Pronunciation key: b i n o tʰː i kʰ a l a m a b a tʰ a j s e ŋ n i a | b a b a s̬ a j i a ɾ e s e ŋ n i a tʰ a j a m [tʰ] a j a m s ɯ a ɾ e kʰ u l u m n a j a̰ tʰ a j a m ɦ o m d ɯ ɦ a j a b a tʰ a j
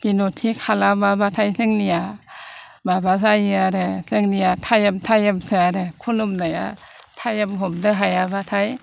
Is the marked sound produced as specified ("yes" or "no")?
yes